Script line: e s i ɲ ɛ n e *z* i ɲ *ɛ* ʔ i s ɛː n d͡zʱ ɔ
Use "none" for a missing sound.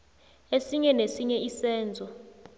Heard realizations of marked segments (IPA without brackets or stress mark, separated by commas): s, ɛ